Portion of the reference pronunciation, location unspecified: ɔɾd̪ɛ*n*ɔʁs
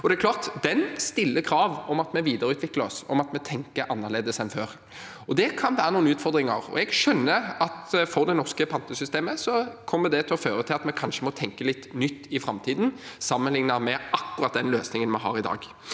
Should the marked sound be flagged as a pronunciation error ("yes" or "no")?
no